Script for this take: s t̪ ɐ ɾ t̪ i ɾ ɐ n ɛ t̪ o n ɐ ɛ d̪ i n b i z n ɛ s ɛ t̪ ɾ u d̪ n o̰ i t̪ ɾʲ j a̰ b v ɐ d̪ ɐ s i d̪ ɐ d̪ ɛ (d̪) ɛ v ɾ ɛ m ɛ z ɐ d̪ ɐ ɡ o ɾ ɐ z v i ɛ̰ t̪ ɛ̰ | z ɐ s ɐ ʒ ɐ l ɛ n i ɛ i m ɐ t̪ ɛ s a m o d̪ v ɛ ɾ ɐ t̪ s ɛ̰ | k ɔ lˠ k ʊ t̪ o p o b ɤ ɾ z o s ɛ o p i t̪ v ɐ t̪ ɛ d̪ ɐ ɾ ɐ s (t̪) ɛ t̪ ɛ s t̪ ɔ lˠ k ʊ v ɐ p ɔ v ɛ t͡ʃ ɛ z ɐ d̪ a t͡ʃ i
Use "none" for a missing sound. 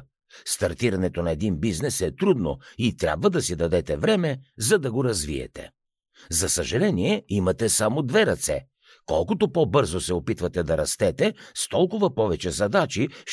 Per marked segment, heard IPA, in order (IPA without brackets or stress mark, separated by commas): t̪, t̪